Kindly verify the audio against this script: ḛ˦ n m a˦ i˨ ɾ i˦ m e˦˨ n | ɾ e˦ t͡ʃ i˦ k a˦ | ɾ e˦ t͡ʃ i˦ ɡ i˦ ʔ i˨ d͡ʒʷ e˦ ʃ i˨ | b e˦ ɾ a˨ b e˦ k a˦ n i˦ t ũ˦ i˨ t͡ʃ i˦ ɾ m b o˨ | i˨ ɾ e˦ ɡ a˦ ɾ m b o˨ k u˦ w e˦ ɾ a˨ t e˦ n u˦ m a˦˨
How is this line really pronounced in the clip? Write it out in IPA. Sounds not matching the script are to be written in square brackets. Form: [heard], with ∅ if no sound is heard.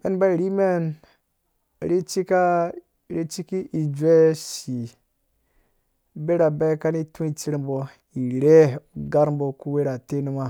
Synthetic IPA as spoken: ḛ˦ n [b] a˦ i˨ ɾ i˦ m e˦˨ n | ɾ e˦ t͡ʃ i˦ k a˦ | ɾ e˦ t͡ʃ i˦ [k] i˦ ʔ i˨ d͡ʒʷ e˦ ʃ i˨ | b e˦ ɾ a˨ b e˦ k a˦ n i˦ t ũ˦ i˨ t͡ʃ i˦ ɾ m b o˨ | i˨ ɾ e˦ ɡ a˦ ɾ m b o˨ k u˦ w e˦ ɾ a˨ t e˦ n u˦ m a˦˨